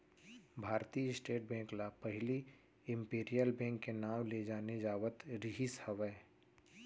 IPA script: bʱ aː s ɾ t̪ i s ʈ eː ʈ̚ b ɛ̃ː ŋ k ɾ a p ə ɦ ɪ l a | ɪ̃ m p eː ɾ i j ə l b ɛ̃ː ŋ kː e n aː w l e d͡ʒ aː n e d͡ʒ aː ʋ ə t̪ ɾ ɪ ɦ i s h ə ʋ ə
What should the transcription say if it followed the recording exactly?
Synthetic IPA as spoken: bʱ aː ɾ t̪ i s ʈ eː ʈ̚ b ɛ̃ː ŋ k l a p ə ɦ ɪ l i | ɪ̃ m p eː ɾ i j ə l b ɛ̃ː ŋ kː e n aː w l e d͡ʒ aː n e d͡ʒ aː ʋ ə t̪ ɾ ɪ ɦ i s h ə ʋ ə